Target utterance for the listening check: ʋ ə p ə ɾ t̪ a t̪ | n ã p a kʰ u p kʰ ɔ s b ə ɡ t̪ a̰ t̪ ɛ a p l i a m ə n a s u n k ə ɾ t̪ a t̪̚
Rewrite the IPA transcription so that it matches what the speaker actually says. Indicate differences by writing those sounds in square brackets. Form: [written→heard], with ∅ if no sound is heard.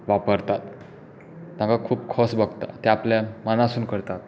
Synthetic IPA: ʋ [ə→a] p ə ɾ t̪ a t̪ | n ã [p→k] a kʰ [u→uː] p kʰ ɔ s b ə ɡ t̪ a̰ t̪ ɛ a p l [i→j] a m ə n a s [u→uː] n k ə ɾ t̪ a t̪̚